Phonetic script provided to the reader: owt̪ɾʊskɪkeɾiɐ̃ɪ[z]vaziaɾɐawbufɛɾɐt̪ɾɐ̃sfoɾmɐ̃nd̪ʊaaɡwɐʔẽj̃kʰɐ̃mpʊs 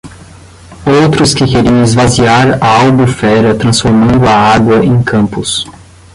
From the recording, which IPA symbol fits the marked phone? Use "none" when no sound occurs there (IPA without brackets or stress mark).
z